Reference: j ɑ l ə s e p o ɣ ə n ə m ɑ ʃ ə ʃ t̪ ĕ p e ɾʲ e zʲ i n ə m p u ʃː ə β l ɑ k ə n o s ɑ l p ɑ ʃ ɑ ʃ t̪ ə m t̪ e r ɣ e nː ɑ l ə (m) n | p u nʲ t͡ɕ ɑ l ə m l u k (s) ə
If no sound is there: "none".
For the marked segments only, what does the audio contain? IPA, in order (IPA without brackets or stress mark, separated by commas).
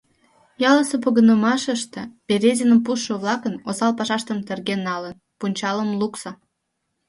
none, s